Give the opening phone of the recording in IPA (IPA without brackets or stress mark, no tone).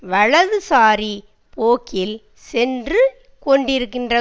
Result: ʋ